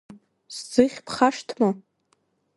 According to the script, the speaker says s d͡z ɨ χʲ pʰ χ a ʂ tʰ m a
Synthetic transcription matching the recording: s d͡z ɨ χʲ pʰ χ a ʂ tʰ m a